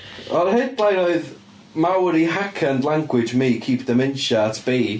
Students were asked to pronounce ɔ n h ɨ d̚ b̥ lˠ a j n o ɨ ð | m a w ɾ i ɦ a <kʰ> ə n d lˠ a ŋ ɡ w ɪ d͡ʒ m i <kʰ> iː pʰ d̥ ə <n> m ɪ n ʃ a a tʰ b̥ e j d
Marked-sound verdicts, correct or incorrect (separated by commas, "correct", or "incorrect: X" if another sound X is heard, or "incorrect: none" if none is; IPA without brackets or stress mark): correct, correct, incorrect: none